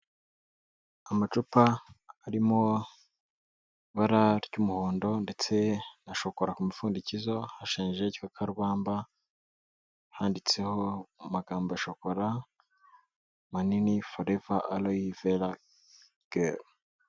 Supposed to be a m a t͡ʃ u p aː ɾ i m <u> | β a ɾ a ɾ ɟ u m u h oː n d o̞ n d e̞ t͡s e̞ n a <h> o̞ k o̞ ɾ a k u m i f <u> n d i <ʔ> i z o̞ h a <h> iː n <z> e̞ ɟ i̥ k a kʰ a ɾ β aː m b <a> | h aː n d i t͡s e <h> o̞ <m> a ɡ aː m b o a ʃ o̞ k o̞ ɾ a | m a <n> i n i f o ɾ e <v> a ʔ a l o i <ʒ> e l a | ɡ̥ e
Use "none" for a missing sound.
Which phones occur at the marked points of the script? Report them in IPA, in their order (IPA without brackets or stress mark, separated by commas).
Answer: o, ʃ, uː, c, ʃ, ʒ, a, h, m, n, v, v